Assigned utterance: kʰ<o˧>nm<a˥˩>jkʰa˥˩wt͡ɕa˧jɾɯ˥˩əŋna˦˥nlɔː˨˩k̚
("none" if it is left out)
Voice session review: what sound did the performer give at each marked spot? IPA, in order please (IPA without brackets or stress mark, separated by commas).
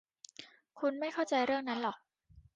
u˧, a˥˩